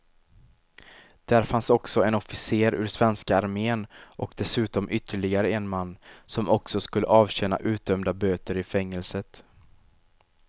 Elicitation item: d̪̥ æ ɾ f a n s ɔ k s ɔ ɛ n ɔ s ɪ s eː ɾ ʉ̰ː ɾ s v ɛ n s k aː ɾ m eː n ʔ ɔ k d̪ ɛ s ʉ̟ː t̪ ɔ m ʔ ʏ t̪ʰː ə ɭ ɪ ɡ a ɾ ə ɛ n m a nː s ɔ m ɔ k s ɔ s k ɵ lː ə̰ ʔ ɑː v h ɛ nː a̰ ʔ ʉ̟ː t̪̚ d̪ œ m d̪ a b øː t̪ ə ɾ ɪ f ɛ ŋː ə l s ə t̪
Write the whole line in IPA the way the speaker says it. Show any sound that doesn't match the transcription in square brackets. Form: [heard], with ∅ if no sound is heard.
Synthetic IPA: d̪̥ æ ɾ f a n s ɔ k s ɔ ɛ n ɔ [f] ɪ s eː ɾ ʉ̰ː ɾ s v ɛ n s k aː ɾ m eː n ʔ ɔ k d̪ ɛ s ʉ̟ː t̪ ɔ m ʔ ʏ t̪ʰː ə ɭ ɪ ɡ a ɾ ə ɛ n m a nː s ɔ m ɔ k s ɔ s k ɵ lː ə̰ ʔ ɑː v [ɕ] ɛ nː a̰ ʔ ʉ̟ː t̪̚ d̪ œ m d̪ a b øː t̪ ə ɾ ɪ f ɛ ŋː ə l s ə t̪